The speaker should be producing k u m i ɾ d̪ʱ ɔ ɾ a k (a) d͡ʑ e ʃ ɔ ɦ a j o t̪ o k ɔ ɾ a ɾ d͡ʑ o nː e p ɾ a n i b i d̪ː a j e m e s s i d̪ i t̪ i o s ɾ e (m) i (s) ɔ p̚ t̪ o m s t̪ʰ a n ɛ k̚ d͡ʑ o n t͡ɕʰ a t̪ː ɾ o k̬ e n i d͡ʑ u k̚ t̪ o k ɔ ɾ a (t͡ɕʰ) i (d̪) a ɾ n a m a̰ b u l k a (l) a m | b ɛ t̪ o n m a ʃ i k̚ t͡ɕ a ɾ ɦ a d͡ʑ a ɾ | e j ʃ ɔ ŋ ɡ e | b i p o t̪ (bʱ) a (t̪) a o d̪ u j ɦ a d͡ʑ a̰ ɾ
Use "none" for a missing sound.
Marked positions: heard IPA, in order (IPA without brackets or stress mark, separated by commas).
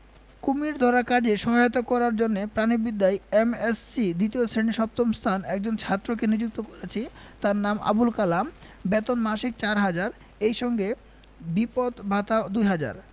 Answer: a, n, ʃ, t͡ɕʰ, t̪, l, bʱ, t̪